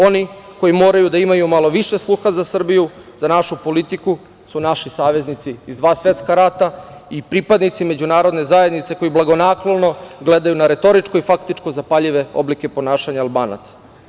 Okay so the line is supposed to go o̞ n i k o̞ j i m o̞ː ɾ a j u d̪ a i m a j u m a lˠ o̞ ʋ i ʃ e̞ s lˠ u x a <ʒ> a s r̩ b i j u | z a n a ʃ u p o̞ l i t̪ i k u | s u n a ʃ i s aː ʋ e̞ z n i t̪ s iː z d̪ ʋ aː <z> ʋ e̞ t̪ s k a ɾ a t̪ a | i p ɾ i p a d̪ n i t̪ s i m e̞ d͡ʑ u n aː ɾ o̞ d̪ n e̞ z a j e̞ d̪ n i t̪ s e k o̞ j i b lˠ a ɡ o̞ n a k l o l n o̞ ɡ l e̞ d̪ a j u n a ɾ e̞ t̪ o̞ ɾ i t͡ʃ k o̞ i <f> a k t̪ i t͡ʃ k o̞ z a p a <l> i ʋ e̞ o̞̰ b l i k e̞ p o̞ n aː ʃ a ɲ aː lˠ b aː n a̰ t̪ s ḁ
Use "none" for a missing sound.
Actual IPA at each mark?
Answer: z, s, f, ʎ

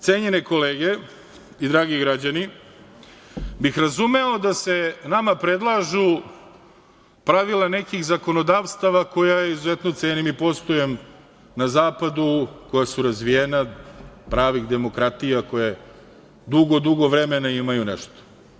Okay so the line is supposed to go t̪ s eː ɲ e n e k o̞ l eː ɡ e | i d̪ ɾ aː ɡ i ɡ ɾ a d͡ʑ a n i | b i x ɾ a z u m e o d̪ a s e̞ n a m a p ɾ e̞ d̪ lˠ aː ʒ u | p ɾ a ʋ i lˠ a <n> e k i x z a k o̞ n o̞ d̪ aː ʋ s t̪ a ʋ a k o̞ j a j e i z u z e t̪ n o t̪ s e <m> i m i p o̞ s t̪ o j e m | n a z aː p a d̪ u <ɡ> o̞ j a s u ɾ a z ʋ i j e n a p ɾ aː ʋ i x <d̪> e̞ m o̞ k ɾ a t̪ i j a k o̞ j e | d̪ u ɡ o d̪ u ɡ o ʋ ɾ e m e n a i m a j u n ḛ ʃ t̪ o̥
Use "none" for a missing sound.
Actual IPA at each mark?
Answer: n, n, k, d̪

